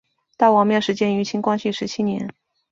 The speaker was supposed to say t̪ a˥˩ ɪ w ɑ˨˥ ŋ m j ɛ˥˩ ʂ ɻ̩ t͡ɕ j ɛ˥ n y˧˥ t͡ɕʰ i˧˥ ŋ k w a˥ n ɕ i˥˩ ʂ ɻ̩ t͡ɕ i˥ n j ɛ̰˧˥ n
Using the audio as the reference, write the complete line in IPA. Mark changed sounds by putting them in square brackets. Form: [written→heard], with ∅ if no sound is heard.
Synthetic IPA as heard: t̪ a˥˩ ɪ w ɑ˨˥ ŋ m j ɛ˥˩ ʂ ɻ̩ t͡ɕ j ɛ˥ n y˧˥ t͡ɕʰ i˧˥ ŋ k w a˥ n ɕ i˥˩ ʂ ɻ̩ [t͡ɕ→t͡ɕʰ] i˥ n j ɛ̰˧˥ n